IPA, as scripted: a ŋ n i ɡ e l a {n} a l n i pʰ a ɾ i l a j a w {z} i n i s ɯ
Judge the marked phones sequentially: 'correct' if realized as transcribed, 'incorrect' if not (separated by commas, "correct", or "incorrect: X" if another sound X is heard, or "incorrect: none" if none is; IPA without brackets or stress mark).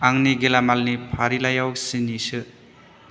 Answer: incorrect: m, incorrect: s